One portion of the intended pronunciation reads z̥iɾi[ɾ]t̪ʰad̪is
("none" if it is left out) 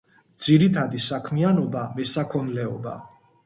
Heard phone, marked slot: none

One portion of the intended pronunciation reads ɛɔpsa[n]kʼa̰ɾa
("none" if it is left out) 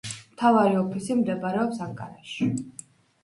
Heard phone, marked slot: ŋ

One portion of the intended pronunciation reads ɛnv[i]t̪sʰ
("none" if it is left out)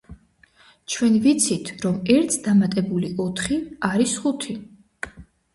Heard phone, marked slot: i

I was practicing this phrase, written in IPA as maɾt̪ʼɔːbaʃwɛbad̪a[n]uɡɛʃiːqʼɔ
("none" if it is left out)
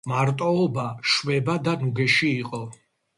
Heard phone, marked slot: n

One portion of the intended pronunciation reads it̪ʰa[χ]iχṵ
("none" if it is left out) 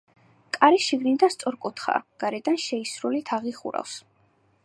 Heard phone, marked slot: ʁ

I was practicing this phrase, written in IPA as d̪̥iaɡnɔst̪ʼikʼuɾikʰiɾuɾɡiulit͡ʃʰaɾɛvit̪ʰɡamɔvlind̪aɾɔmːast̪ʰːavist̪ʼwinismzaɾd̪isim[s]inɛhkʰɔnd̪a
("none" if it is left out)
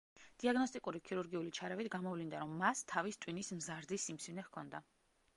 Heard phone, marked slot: s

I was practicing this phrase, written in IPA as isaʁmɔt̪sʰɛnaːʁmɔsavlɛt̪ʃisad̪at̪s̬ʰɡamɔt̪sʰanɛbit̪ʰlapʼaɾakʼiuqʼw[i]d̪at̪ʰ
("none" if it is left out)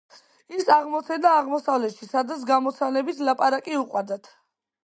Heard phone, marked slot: a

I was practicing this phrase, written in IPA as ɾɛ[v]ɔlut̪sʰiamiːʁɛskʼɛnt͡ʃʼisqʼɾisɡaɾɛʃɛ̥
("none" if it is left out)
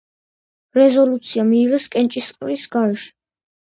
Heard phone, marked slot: z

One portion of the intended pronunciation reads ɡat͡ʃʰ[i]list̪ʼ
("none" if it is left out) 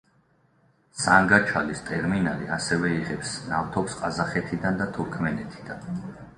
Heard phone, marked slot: a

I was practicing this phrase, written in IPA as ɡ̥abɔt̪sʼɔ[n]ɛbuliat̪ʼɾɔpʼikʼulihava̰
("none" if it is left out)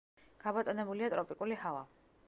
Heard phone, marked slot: n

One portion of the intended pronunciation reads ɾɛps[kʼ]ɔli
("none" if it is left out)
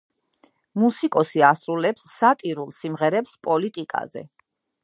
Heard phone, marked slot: pʼ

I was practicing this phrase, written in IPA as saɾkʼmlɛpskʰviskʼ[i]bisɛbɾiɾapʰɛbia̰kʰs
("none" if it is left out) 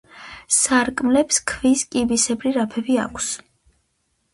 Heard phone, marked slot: i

